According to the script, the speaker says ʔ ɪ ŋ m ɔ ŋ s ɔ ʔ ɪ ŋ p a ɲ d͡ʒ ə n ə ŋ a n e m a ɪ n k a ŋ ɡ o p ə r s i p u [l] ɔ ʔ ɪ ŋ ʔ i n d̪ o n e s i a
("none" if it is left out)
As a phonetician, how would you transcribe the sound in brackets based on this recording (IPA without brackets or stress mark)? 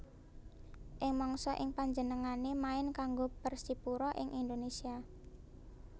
ɾ